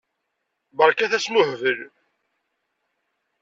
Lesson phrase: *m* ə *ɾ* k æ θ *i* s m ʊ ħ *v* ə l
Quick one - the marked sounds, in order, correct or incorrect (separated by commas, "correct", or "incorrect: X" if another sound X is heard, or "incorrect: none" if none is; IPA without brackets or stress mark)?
incorrect: b, correct, incorrect: æ, correct